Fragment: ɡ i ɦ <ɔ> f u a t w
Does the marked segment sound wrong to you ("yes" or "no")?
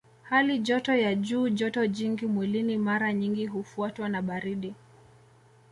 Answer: yes